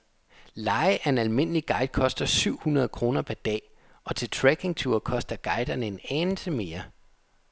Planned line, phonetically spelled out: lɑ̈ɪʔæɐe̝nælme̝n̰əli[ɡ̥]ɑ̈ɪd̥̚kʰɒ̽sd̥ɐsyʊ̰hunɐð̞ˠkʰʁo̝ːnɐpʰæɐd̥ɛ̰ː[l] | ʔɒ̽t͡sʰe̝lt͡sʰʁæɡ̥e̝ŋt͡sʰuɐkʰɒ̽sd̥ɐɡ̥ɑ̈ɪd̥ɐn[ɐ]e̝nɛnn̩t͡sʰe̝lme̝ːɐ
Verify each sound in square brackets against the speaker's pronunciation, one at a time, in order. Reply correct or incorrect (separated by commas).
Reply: correct, incorrect, incorrect